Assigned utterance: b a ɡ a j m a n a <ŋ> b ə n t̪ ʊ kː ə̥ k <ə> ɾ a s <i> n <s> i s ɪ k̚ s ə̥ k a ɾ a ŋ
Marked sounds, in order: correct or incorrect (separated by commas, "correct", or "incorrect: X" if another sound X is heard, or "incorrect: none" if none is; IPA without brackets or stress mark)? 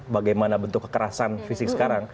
incorrect: none, correct, incorrect: a, incorrect: f